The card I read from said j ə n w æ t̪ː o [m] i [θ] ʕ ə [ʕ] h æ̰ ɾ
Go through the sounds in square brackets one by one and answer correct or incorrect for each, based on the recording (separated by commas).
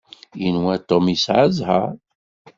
correct, incorrect, incorrect